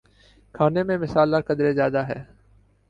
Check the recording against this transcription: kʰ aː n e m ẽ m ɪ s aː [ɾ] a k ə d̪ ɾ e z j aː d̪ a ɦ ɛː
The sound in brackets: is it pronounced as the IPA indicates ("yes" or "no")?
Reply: no